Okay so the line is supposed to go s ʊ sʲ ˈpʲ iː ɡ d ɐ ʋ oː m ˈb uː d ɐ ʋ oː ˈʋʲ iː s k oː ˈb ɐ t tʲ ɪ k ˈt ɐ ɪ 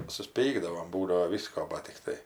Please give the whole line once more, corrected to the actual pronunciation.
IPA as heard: s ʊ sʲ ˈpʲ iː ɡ d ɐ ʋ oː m ˈb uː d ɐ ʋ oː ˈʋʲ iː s k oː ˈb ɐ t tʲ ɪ k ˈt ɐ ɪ